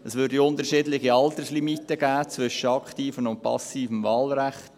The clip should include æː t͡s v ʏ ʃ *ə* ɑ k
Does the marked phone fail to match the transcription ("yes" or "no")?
no